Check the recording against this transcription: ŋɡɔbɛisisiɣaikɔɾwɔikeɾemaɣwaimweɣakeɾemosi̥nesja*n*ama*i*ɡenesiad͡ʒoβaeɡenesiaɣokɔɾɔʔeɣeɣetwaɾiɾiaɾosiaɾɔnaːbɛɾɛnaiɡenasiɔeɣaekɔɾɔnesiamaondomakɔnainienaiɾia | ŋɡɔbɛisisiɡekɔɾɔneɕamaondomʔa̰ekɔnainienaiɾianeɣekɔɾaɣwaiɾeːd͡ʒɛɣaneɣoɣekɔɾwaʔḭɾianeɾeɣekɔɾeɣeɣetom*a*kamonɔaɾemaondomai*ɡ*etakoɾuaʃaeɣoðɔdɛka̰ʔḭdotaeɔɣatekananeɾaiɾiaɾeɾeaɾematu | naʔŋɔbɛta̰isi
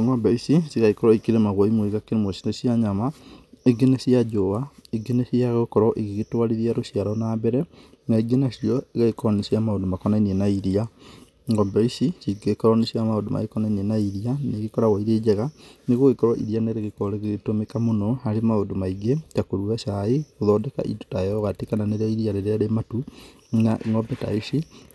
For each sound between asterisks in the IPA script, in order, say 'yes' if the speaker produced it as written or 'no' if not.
no, no, no, yes

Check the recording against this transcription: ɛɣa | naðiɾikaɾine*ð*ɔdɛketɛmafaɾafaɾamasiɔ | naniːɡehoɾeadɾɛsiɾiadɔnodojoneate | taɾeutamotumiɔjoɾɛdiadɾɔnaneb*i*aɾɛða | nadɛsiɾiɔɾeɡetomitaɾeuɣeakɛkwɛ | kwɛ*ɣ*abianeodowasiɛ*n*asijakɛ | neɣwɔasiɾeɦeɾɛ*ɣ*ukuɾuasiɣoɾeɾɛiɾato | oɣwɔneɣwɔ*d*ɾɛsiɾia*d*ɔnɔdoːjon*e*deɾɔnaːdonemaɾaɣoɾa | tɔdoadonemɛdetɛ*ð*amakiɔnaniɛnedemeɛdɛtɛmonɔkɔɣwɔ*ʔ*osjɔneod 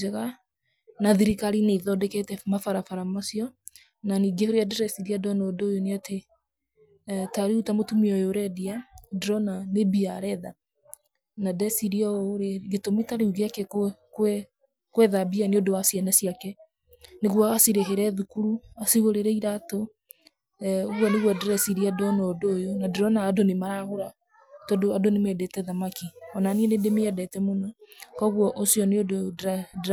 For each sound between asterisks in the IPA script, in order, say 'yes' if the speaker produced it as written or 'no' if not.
yes, yes, no, yes, no, yes, yes, no, yes, yes

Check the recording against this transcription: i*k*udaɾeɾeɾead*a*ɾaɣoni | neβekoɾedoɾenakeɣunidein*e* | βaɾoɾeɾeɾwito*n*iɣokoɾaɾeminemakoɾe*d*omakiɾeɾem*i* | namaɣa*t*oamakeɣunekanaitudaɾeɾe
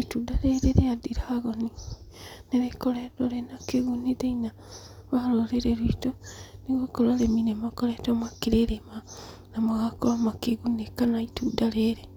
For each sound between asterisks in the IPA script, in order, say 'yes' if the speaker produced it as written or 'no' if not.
no, no, no, yes, no, no, no

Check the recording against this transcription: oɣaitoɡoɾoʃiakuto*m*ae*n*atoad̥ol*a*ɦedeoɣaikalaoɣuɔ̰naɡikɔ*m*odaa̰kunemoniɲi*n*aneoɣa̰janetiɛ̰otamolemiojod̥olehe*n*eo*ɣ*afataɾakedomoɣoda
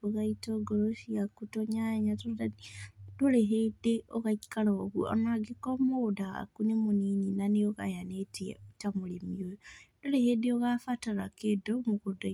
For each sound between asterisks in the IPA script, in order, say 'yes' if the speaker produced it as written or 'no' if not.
no, no, no, yes, yes, no, yes

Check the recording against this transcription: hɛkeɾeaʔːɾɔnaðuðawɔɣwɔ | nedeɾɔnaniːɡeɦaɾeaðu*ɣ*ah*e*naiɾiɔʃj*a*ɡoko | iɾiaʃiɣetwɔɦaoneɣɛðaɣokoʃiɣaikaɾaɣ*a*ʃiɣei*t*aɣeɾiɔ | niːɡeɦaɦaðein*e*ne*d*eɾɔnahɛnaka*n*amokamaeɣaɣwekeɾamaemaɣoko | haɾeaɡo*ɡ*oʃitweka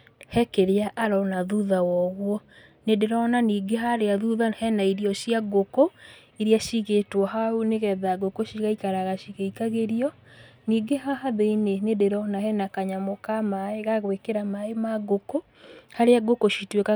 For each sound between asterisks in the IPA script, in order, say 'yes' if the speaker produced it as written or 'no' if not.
no, no, yes, yes, no, yes, yes, no, no

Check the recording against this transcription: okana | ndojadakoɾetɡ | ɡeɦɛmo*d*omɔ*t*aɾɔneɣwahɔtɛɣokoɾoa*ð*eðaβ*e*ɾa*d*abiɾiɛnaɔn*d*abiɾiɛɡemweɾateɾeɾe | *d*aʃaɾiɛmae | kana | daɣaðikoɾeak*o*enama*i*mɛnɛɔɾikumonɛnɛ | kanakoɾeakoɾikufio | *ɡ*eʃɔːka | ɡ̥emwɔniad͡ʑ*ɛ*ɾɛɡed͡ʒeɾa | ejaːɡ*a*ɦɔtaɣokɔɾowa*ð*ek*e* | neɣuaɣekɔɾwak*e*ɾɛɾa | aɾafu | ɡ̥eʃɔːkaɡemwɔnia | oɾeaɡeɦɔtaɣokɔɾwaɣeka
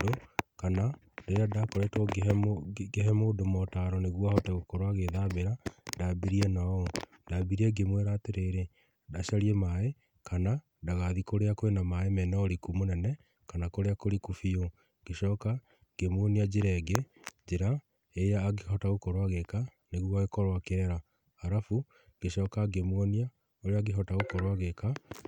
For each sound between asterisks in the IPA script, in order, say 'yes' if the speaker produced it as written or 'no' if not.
yes, yes, no, yes, yes, yes, yes, yes, no, yes, no, no, no, no, yes

